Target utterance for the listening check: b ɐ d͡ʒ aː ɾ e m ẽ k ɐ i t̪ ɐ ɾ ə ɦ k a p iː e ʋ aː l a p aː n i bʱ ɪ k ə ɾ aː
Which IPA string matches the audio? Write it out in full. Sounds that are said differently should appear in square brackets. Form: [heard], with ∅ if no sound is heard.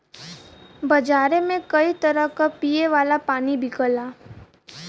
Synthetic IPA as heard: b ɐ d͡ʒ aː ɾ e m ẽ k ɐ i t̪ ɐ ɾ ə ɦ k a p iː e ʋ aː l a p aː n i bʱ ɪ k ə [l] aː